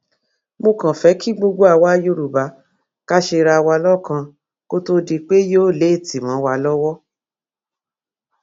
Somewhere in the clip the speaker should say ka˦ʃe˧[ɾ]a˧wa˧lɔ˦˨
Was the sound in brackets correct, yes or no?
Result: yes